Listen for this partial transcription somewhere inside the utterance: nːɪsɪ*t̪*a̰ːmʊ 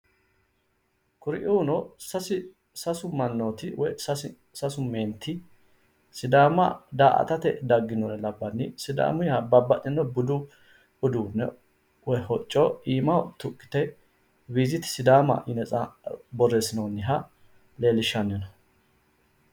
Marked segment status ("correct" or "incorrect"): incorrect